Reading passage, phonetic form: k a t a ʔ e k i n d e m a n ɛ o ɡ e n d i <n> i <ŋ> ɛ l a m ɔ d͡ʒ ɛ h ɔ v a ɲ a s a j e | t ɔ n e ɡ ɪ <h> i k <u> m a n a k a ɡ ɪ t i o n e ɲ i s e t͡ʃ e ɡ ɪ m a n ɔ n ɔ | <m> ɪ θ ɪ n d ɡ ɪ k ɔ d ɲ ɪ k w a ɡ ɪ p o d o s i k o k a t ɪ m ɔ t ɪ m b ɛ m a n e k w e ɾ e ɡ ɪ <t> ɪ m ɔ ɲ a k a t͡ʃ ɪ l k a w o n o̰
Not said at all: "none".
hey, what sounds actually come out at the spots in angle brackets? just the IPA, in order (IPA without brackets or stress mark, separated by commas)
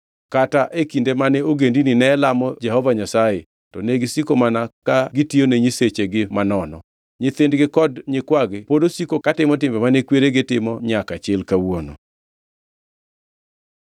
n, n, s, o, ɲ, t